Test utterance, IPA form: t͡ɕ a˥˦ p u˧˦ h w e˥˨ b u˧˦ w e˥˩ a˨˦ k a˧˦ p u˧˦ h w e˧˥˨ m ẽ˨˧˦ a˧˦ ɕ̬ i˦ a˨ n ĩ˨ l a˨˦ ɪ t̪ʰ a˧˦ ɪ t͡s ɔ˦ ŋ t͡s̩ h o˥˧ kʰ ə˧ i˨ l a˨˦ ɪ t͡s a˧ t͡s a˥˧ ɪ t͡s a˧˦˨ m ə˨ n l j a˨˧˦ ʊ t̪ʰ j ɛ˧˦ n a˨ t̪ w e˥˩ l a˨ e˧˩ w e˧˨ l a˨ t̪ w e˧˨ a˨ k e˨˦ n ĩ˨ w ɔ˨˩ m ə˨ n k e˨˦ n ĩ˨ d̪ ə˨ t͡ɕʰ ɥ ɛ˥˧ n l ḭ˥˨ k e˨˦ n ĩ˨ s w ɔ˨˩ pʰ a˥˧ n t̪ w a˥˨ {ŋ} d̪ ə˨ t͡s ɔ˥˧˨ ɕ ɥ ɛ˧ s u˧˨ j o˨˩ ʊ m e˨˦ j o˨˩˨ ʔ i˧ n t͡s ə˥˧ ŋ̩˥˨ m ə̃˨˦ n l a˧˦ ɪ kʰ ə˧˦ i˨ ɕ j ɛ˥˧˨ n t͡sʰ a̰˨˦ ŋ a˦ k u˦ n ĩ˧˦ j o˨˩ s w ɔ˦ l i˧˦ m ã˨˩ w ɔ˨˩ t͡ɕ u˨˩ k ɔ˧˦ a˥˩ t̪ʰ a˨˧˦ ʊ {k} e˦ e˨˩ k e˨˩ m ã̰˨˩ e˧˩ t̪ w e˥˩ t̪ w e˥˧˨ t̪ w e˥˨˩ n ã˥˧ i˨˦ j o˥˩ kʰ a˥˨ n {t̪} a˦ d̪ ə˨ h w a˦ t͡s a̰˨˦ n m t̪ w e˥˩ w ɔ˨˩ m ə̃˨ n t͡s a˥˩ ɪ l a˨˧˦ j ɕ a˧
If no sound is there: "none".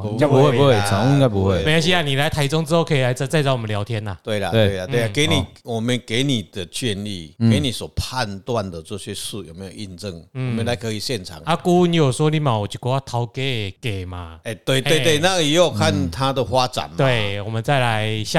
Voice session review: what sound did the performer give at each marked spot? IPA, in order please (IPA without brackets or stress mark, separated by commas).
n, k, t̪ʰ